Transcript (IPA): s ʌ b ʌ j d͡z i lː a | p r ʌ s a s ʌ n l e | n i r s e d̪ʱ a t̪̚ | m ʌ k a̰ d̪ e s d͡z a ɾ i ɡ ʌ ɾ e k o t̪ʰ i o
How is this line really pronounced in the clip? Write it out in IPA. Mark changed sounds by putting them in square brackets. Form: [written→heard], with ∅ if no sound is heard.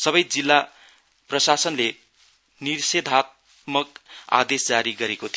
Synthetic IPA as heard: s ʌ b ʌ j d͡z i lː a | p r ʌ s a s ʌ n l e | n i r s e d̪ʱ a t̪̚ | m ʌ k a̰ d̪ e s d͡z a ɾ i ɡ ʌ ɾ e k o t̪ʰ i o